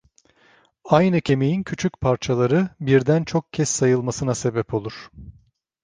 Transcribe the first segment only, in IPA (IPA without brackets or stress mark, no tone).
a